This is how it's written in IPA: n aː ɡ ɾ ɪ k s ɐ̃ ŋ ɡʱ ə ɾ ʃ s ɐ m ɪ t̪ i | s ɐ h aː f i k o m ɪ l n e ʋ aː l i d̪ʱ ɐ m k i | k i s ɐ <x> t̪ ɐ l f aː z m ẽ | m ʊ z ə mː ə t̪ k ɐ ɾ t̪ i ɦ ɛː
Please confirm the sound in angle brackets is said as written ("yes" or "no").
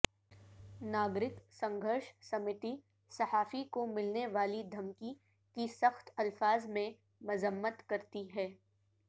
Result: yes